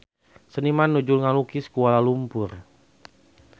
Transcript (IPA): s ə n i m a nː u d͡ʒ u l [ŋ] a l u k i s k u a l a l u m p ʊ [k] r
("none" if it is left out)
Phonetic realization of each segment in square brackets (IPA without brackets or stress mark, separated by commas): ŋ, none